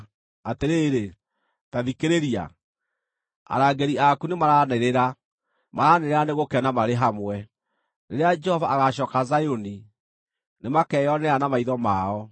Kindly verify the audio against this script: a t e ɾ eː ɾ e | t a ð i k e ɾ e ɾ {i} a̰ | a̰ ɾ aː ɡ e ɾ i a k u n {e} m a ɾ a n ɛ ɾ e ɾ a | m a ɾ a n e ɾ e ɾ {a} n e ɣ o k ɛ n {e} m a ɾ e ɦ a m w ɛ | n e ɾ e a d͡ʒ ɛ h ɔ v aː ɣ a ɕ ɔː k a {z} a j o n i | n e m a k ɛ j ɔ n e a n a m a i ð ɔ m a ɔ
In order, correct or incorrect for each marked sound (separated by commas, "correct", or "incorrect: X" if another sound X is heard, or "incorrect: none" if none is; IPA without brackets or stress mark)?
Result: correct, correct, correct, incorrect: a, correct